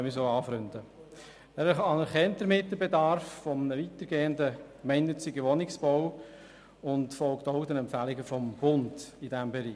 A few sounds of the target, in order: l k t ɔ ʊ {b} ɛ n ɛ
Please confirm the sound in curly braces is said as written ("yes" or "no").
no